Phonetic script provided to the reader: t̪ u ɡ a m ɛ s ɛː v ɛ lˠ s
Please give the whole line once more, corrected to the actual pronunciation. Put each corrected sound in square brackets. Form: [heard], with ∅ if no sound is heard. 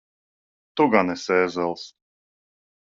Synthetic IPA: t̪ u ɡ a [n] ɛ s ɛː [z] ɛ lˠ s